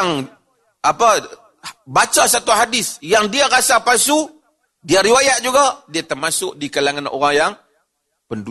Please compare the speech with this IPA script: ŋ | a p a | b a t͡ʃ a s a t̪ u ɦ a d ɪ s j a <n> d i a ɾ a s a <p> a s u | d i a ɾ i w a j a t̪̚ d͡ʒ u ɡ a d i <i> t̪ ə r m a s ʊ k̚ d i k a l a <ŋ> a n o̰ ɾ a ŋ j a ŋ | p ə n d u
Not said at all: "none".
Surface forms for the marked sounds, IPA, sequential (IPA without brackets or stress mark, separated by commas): ŋ, p, a, ŋ